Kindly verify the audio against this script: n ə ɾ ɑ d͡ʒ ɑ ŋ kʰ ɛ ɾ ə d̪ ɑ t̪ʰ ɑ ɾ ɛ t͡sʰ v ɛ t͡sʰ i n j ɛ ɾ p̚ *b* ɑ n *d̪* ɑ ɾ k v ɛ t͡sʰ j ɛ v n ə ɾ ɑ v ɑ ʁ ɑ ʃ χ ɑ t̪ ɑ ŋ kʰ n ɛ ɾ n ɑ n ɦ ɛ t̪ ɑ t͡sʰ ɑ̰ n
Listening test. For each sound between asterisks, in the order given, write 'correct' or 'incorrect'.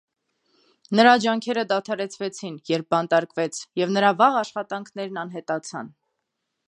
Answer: correct, incorrect

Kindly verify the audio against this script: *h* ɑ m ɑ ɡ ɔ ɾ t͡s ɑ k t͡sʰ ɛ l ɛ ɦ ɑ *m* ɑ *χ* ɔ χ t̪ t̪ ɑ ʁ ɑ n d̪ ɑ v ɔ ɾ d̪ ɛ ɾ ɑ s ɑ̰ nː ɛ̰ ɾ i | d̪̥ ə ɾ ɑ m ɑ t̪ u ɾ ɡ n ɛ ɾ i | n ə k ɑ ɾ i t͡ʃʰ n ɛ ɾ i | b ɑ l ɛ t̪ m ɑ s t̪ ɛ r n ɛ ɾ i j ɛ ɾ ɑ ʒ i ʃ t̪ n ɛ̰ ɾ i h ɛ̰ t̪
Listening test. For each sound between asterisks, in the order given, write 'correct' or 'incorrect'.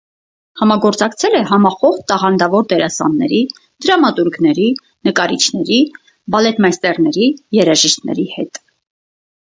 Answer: correct, correct, correct

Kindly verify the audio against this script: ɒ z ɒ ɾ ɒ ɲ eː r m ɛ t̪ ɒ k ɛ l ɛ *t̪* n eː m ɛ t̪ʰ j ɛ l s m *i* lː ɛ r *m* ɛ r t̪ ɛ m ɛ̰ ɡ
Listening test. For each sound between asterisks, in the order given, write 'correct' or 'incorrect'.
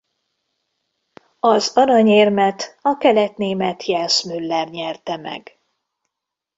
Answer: correct, incorrect, incorrect

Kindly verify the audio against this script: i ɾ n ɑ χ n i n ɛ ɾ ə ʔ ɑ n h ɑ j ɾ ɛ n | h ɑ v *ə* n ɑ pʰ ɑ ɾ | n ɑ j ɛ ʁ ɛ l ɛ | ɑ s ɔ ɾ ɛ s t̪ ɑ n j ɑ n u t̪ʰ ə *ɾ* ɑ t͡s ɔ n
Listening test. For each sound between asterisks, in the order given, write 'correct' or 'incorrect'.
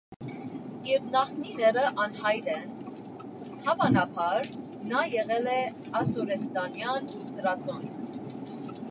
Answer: incorrect, correct

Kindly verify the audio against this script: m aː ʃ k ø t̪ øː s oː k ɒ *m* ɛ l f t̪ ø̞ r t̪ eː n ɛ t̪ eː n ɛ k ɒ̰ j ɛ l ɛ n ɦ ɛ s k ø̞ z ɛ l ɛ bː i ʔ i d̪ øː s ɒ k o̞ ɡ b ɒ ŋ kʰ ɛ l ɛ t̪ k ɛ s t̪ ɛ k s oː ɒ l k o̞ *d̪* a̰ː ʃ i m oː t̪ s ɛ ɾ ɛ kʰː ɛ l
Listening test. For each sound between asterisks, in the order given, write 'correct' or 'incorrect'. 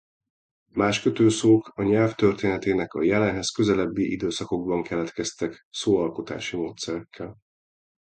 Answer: incorrect, incorrect

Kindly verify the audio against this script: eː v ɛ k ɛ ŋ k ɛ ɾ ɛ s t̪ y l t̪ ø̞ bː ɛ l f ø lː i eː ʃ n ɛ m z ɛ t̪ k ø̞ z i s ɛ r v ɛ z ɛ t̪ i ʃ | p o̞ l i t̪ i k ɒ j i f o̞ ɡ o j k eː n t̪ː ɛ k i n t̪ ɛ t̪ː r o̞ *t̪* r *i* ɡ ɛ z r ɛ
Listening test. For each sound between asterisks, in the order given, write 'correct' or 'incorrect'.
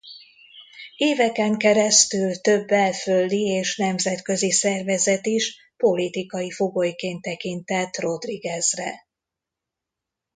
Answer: incorrect, correct

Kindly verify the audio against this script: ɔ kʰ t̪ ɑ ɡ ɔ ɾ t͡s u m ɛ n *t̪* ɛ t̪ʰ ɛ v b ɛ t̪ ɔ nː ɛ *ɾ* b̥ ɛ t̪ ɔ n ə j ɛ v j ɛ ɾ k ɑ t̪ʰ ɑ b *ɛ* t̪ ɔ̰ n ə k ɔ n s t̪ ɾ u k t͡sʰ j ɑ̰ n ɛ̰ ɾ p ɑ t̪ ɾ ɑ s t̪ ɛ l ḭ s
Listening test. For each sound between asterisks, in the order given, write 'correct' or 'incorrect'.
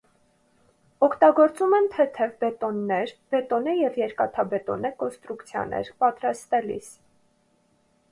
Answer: incorrect, correct, correct

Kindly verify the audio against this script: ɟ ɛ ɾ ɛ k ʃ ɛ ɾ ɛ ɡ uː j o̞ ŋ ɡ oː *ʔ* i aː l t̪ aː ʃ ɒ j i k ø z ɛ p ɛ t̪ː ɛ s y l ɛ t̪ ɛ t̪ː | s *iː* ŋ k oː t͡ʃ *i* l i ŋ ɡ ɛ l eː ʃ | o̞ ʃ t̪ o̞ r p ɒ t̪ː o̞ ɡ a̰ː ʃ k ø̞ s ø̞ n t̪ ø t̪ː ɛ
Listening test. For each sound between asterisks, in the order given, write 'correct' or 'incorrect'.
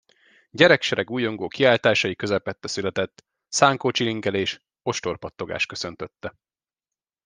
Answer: incorrect, incorrect, correct

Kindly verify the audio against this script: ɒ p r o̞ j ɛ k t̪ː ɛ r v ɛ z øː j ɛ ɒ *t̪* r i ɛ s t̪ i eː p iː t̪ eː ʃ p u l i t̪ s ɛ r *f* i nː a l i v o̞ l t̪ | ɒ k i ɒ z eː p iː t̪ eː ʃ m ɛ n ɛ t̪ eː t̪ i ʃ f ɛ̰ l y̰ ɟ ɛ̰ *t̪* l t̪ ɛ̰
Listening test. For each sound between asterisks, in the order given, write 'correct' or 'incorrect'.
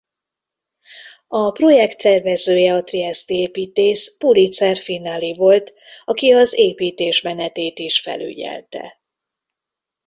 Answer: correct, correct, incorrect

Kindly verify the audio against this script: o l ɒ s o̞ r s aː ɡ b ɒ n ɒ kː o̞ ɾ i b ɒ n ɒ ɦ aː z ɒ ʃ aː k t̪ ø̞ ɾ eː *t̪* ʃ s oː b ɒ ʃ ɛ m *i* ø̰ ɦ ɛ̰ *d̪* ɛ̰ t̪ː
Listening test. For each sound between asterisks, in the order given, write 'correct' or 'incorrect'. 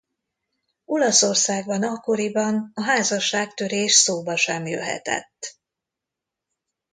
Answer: incorrect, incorrect, incorrect

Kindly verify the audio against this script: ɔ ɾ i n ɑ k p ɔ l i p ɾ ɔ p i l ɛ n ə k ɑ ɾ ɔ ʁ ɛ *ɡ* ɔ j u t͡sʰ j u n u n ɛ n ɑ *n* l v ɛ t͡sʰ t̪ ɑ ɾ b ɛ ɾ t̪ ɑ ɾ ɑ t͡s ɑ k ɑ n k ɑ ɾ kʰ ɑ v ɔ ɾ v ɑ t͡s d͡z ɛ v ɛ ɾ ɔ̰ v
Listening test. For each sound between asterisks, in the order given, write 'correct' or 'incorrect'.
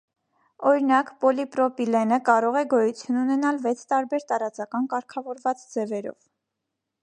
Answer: correct, incorrect

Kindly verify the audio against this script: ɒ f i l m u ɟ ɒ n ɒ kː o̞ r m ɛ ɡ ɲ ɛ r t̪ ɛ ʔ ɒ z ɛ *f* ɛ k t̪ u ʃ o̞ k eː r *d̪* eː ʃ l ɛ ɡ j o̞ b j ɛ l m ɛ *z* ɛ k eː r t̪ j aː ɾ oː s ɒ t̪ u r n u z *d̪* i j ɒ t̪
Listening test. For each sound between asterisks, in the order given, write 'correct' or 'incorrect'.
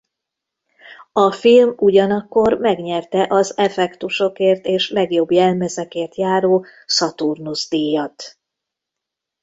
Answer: correct, incorrect, correct, correct

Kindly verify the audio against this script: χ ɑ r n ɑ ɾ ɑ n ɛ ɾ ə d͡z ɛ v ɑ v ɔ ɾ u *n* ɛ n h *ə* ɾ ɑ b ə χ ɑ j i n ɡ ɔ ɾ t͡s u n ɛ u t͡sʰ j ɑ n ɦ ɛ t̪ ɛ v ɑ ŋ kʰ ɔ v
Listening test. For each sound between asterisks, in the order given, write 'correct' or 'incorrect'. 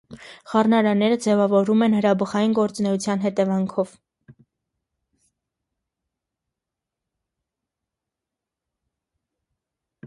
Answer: incorrect, correct

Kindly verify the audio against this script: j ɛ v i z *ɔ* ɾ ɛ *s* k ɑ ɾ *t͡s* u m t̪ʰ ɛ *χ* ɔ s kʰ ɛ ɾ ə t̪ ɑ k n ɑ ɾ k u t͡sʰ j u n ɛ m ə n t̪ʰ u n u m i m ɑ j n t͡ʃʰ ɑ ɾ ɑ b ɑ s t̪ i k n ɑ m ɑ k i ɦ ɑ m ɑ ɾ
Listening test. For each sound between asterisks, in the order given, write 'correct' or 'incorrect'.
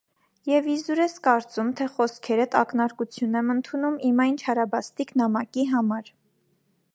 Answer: incorrect, correct, correct, correct

